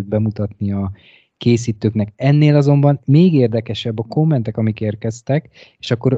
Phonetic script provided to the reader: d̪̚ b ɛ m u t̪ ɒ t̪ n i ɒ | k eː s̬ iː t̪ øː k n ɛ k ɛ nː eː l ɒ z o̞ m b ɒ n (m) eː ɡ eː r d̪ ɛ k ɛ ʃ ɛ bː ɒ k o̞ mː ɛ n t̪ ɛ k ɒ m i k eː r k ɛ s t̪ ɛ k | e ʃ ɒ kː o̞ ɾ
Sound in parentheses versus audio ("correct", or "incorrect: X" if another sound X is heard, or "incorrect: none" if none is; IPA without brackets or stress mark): correct